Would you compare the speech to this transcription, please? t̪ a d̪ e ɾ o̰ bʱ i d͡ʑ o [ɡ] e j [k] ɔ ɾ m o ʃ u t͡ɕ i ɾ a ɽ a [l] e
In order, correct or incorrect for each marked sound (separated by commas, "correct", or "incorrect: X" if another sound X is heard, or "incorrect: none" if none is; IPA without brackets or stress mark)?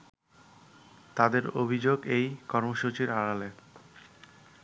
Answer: correct, correct, correct